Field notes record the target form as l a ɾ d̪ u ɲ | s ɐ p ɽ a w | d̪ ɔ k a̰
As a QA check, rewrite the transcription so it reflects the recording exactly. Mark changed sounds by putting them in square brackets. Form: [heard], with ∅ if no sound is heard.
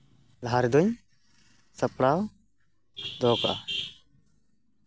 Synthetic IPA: l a ɾ d̪ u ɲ | s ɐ p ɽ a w | d̪ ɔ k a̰

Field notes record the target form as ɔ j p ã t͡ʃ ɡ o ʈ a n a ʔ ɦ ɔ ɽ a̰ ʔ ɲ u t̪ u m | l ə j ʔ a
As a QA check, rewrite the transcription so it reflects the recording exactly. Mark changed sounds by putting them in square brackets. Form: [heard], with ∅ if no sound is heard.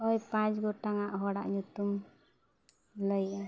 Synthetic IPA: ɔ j p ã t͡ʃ ɡ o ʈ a [ŋ] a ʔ ɦ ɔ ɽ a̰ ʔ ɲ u t̪ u m | l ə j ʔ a

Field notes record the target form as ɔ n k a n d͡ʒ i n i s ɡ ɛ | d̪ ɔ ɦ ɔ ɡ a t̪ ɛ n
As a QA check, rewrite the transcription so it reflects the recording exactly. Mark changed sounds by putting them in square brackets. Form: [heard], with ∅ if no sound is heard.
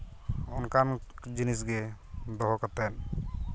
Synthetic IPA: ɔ n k a n d͡ʒ i n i s ɡ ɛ | d̪ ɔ ɦ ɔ [k] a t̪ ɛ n

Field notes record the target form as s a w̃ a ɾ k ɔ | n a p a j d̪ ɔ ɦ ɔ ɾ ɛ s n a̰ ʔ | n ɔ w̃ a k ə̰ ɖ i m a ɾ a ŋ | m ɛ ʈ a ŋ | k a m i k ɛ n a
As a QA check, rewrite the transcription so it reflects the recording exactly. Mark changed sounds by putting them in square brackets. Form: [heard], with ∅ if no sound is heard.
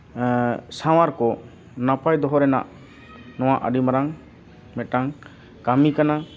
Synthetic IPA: s a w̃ a ɾ k ɔ | n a p a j d̪ ɔ ɦ ɔ ɾ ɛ [∅] n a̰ ʔ | n ɔ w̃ a [ʔ] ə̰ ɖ i m a ɾ a ŋ | m ɛ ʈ a ŋ | k a m i k [a] n a

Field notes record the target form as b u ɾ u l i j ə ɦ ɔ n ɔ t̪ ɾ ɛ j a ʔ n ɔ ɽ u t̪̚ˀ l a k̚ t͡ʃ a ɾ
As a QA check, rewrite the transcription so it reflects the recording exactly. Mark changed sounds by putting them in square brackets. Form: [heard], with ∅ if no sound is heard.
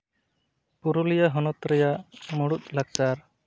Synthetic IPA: [p] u ɾ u l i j [a] ɦ ɔ n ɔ t̪ ɾ ɛ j a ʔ [m] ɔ ɽ u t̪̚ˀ l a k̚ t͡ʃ a ɾ

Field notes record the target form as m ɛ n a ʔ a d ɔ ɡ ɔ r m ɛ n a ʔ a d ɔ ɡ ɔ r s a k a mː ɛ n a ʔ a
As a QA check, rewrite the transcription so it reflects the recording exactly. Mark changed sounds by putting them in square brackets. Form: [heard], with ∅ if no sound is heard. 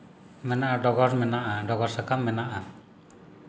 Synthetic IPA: m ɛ n a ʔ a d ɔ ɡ ɔ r m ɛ n a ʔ a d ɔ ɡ ɔ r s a k a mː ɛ n a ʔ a

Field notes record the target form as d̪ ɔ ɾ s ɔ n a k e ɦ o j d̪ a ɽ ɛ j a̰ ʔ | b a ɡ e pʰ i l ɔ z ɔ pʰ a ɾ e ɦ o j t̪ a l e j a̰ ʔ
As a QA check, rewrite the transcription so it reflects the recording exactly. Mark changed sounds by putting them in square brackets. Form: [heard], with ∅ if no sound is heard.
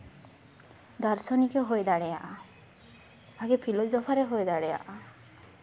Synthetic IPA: d̪ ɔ ɾ s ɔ n [i] k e ɦ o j d̪ a ɽ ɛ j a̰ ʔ | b a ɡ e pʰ i l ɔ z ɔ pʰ a ɾ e ɦ o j [d̪] a [ɽ] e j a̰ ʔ

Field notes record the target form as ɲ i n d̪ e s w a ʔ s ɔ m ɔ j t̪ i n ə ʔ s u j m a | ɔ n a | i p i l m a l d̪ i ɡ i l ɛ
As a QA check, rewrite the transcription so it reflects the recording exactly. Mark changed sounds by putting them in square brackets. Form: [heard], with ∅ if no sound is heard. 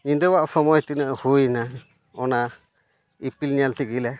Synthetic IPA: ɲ i n d̪ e [∅] w a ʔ s ɔ m ɔ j t̪ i n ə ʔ [h] u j [n] a | ɔ n a | i p i l [ɲ] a l [t̪] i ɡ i l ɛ

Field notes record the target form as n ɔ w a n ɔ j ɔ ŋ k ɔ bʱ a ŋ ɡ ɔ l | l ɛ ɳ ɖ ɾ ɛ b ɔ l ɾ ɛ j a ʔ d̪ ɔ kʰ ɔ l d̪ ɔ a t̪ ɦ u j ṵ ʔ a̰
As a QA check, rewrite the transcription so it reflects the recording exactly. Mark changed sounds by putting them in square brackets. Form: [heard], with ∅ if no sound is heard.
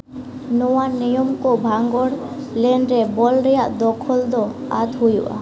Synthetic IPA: n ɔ w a n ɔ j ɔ [m] k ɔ bʱ a ŋ ɡ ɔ [ɽ] | l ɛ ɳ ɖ ɾ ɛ b ɔ l ɾ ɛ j a ʔ d̪ ɔ kʰ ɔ l d̪ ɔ a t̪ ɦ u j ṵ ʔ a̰

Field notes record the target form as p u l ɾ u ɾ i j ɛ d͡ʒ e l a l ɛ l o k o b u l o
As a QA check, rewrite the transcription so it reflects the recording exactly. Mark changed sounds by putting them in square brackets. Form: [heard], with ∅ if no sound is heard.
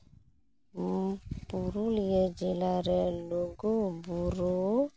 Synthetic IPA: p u [∅] ɾ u [l] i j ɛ d͡ʒ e l a [ɾ] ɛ l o [ɡ] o b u [ɾ] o

